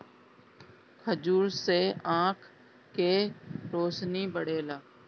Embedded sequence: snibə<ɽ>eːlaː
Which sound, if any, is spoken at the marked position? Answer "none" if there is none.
ɽ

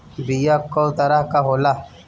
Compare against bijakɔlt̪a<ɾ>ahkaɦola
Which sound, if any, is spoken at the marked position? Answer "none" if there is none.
ɾ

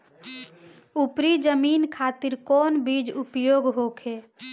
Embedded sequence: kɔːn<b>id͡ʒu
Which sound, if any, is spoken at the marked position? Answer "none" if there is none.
b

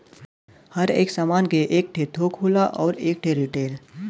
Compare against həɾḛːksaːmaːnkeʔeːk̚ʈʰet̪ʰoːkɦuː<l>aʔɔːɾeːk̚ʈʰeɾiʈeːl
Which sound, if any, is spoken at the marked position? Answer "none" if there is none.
l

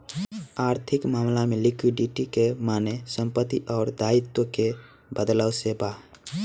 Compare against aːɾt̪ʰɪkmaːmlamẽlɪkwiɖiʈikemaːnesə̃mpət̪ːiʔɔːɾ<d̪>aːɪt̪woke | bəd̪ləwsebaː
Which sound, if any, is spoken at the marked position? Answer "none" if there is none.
d̪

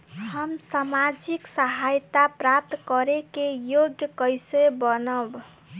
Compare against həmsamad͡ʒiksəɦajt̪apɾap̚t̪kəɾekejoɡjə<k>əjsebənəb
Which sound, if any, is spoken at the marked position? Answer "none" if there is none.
k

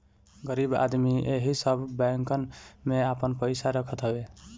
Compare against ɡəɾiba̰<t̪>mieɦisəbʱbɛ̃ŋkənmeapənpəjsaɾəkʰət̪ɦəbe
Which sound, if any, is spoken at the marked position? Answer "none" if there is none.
d̪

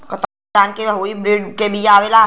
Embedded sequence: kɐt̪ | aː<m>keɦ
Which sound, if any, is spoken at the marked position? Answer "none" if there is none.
n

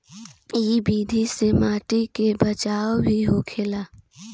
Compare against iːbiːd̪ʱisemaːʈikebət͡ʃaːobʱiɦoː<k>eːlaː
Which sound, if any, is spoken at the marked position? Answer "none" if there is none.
kʰ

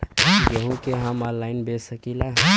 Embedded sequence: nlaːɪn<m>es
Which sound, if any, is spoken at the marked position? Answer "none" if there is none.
b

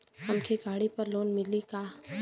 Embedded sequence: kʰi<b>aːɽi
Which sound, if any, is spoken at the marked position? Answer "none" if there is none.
ɡ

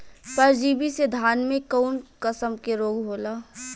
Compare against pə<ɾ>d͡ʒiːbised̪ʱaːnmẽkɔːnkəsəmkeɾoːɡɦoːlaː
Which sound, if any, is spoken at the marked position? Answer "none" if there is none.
ɾ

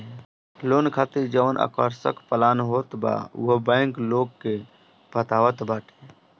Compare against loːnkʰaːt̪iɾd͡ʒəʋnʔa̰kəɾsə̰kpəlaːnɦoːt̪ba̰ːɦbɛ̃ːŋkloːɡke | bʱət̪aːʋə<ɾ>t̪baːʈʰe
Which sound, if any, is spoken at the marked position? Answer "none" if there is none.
none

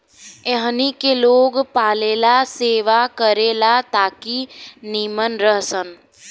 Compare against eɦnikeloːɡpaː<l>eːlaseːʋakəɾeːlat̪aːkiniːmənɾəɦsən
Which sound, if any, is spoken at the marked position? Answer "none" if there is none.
l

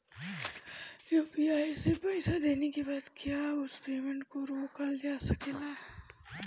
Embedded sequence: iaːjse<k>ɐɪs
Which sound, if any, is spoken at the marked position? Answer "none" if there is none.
p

